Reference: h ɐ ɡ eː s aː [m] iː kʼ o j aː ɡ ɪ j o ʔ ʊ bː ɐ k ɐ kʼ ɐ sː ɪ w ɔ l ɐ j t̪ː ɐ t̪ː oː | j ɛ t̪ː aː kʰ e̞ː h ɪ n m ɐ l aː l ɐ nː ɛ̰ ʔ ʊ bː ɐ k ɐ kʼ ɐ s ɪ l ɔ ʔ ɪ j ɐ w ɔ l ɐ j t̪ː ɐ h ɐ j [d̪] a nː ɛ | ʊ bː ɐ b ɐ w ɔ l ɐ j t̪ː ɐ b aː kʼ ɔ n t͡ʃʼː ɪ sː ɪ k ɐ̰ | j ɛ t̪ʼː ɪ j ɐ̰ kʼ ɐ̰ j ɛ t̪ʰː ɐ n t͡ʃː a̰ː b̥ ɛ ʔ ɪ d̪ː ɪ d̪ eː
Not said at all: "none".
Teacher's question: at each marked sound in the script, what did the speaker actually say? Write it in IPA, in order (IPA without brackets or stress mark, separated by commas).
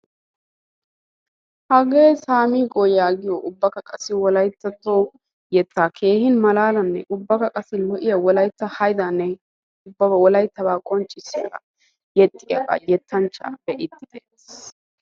m, d̪